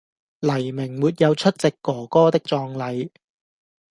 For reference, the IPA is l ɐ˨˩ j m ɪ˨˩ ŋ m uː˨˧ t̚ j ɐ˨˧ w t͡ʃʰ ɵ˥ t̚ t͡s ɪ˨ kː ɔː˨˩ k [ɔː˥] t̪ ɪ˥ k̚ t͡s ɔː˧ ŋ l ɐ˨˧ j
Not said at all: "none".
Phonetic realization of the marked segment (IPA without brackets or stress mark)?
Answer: ɔː˥